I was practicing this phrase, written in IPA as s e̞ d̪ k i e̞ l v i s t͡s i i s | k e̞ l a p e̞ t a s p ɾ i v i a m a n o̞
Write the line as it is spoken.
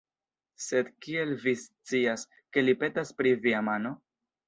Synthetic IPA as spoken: s e̞ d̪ k i e̞ l v i s t͡s i a s | k e̞ l i p e̞ t a s p ɾ i v i a m a n o̞